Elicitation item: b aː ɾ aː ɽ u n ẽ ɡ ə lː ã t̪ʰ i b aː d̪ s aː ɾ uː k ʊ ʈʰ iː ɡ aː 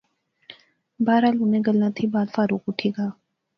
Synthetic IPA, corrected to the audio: b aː ɾ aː l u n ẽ ɡ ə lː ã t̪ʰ i b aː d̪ f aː ɾ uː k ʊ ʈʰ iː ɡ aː